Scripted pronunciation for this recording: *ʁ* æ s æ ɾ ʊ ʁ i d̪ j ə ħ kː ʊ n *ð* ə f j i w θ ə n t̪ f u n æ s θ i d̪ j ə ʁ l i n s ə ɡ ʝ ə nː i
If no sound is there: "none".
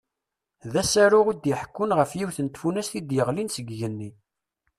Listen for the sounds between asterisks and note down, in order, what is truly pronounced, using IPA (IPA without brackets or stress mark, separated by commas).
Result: ð, ʁ